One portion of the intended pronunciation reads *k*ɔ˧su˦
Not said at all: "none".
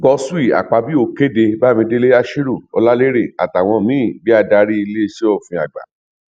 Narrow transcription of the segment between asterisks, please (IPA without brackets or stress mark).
ɡ